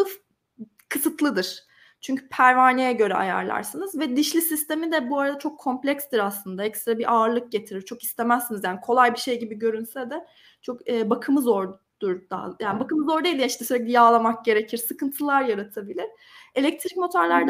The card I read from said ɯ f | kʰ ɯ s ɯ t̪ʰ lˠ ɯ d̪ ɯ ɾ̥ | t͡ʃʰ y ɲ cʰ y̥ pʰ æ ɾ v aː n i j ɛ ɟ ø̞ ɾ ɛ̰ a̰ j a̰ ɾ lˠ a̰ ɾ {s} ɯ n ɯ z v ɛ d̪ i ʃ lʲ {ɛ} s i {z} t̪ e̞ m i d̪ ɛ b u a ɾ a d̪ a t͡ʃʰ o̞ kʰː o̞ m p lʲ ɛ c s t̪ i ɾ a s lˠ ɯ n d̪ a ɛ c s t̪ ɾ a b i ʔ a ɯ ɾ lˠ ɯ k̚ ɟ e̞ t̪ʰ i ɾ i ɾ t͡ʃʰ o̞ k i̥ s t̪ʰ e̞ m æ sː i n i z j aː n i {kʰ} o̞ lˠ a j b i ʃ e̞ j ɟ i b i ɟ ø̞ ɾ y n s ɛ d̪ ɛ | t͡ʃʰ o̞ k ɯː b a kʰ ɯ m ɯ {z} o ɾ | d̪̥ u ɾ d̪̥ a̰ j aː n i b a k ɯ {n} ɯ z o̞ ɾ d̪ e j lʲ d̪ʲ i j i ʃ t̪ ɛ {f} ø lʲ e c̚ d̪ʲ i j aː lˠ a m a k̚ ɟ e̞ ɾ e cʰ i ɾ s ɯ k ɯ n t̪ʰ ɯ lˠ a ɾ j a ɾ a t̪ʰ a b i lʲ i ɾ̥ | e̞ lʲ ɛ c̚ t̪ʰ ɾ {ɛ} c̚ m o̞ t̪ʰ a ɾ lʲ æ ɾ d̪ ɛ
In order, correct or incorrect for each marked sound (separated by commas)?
correct, incorrect, incorrect, correct, correct, incorrect, incorrect, incorrect